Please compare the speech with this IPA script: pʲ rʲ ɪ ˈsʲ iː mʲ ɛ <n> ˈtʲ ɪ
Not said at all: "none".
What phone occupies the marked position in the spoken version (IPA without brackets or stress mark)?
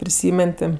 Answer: n